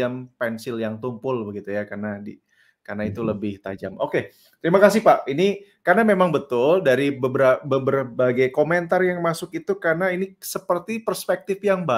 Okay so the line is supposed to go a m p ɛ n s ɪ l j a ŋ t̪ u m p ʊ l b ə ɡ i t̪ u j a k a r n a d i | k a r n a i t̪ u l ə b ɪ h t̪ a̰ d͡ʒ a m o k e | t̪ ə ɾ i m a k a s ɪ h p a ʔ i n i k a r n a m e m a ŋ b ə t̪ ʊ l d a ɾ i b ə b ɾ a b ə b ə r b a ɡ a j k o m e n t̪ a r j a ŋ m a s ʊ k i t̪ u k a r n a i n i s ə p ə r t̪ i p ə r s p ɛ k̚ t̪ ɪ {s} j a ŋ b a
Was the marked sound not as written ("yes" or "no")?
yes